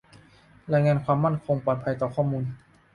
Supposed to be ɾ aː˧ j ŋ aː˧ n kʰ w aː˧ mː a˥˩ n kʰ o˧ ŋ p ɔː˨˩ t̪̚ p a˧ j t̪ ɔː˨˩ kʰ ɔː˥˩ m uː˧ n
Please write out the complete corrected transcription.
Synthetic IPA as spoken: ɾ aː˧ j ŋ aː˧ n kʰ w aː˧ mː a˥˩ n kʰ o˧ ŋ p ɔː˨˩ t̪̚ pʰ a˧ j t̪ ɔː˨˩ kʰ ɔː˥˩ m uː˧ n